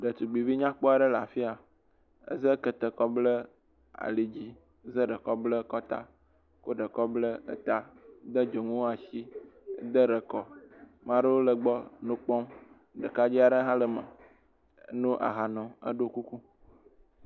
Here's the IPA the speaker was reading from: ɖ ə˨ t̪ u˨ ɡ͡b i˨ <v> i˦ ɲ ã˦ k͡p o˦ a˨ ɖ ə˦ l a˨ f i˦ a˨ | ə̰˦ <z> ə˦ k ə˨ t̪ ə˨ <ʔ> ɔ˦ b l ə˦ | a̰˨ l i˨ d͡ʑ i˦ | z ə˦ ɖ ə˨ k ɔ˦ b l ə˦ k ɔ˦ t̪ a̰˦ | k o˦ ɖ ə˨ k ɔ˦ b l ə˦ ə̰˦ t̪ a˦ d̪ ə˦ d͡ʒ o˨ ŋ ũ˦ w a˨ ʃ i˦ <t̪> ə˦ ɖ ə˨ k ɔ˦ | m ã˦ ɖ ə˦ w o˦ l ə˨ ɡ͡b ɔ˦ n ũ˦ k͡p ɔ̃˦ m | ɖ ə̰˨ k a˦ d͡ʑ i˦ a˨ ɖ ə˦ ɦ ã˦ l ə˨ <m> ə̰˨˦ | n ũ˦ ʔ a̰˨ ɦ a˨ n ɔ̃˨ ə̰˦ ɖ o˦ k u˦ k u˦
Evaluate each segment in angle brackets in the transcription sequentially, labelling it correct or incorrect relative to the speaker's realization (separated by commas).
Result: correct, correct, incorrect, incorrect, correct